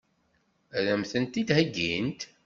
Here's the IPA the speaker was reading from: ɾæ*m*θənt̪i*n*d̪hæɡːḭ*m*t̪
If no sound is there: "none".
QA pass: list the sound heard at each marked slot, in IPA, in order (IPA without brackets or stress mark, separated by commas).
m, none, n